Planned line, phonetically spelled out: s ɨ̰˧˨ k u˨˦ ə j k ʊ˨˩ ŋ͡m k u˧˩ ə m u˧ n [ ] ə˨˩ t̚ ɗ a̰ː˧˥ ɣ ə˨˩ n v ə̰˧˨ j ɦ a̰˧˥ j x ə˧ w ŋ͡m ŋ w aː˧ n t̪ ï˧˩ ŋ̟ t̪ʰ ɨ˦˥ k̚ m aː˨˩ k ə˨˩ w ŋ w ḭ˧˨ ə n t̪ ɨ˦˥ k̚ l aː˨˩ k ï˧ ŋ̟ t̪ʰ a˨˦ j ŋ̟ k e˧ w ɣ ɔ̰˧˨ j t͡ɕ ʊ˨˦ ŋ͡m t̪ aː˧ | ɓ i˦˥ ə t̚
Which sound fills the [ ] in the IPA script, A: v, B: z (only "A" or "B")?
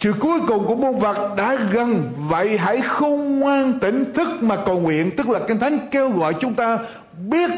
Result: A